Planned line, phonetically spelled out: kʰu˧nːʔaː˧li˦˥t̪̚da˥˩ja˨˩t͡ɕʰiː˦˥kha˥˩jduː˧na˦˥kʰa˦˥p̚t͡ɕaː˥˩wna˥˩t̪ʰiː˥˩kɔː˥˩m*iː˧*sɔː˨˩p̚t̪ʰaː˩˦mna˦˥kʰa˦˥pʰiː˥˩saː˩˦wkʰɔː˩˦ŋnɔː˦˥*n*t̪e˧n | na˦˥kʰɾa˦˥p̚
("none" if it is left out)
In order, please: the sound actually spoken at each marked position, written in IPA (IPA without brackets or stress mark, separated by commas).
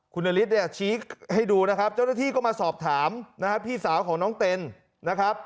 aː˧, ŋ